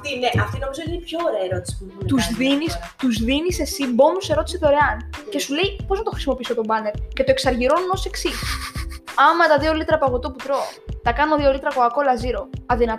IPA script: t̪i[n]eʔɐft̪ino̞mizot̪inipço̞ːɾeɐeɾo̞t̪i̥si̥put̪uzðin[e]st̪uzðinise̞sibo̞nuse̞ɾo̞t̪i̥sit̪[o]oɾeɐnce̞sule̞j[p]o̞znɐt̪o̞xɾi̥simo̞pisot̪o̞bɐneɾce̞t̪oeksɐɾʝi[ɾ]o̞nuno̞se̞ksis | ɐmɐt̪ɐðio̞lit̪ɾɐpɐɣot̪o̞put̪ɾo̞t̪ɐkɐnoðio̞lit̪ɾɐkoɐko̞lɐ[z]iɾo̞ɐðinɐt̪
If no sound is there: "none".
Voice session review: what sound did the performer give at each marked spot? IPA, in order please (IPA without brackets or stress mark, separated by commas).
n, i, o, p, ɾ, z